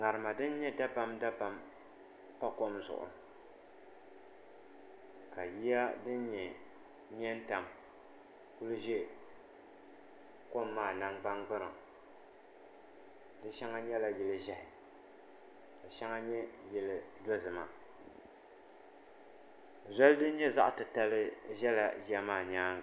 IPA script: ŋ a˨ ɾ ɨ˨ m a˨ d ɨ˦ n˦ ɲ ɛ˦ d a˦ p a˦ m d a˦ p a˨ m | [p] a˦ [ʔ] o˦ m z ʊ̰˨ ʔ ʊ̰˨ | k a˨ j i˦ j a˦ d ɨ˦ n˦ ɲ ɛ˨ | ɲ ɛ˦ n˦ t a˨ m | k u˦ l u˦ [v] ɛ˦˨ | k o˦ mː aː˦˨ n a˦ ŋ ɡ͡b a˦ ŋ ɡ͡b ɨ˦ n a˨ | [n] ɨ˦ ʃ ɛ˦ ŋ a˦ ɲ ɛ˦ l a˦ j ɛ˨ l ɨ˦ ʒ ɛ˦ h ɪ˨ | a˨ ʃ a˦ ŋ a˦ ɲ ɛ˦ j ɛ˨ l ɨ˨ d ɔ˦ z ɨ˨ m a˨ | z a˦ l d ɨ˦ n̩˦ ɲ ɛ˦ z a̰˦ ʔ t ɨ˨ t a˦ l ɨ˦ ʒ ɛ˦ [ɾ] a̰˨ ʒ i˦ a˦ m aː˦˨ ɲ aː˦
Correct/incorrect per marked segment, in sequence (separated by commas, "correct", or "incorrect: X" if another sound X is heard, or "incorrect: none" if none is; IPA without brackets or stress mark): correct, incorrect: k, incorrect: ʒ, incorrect: d, incorrect: l